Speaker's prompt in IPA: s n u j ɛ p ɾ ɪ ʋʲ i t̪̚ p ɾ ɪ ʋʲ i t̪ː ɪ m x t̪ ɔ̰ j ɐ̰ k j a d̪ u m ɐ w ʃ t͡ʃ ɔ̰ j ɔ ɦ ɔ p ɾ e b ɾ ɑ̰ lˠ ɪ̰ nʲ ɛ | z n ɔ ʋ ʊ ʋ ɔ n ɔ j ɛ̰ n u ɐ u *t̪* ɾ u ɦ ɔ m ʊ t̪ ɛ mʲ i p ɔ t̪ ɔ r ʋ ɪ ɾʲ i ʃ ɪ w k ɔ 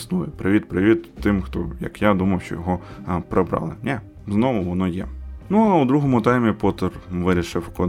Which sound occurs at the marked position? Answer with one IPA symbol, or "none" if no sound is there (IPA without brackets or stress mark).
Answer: d̪